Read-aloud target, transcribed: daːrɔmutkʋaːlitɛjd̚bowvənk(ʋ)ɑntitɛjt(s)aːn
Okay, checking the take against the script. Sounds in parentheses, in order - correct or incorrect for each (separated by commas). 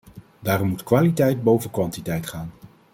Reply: correct, incorrect